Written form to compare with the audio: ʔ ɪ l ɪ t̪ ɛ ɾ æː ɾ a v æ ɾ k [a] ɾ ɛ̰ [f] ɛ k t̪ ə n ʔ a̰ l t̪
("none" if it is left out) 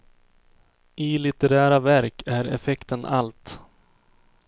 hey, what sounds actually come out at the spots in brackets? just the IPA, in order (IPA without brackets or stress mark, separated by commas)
æ, f